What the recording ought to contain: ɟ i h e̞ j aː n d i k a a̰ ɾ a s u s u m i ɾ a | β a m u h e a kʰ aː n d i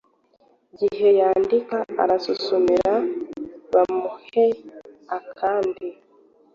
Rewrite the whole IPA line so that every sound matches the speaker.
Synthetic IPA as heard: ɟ i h e̞ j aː n d i k a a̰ ɾ a s u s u m i ɾ a | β a m u h e a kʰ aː n d i